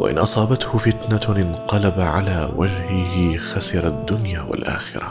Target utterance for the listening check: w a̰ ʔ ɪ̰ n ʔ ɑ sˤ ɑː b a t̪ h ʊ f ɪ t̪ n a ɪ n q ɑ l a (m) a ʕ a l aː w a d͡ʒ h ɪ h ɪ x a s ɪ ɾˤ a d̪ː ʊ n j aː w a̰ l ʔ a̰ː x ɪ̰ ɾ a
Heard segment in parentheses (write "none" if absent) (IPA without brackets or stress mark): b